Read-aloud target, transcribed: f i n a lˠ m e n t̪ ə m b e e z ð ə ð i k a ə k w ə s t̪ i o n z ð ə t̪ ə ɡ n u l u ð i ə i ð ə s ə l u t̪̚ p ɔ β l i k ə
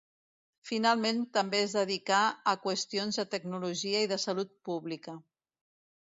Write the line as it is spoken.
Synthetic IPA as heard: f i n a lˠ m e n t̪ ə m b e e z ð ə ð i k a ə k w ə s t̪ i o n z ð ə t̪ ə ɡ n u l u ʒ i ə i ð ə s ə l u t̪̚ p u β l i k ə

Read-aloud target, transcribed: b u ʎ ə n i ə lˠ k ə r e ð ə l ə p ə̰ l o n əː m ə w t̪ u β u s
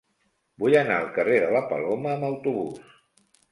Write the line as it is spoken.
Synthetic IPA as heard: b u j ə n a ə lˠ k ə r e ð ə l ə p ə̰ l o m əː m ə w t̪ u β u s

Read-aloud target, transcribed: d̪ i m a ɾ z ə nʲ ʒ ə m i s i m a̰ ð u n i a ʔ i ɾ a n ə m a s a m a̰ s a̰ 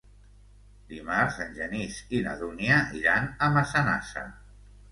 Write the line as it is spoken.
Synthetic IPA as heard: d̪ i m a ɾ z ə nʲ ʒ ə n i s i n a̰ ð u n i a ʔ i ɾ a n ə m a s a n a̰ s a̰

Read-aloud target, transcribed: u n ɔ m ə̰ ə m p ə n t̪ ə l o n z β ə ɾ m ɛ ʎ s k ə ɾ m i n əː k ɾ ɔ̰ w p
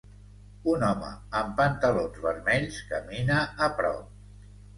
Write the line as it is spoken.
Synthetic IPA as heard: u n ɔ m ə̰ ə m p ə n t̪ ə l o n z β ə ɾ m ɛ ʎ s k ə m i n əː p ɾ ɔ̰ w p

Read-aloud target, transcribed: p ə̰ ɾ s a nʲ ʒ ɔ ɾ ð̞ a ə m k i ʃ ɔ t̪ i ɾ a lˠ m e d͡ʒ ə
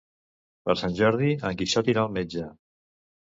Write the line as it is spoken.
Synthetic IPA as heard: p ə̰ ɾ s a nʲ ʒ ɔ ɾ ð̞ i ə ŋ k i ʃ ɔ t̪ i ɾ a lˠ m e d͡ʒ ə

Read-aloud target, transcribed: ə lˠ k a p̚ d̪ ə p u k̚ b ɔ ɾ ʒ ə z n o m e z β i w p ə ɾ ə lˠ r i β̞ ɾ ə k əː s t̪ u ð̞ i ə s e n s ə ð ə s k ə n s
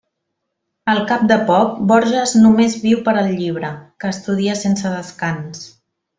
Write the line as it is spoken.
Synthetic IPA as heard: ə lˠ k a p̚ d̪ ə p ɔ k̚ b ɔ ɾ ʒ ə z n u m e z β i w p ə ɾ ə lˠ ʎ i β̞ ɾ ə k əː s t̪ u ð̞ i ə s e n s ə ð ə s k a n s

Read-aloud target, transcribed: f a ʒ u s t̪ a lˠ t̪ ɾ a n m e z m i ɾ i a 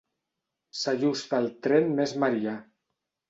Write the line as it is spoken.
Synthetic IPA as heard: s a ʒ u s t̪ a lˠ t̪ ɾ e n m e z m a ɾ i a

